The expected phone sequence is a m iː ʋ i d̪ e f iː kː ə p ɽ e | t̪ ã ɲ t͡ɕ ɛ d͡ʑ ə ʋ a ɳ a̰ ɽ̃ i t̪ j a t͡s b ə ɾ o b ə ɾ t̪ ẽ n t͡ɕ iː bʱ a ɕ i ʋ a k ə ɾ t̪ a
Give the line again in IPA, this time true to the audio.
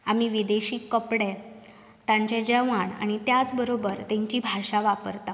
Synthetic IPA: a m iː ʋ i d̪ e ɕ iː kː ə p ɽ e | t̪ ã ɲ t͡ɕ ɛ d͡ʑ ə ʋ a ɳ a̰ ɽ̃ i t̪ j a t͡s b ə ɾ o b ə ɾ t̪ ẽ ɲ t͡ɕ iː bʱ a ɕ a ʋ a p ə ɾ t̪ a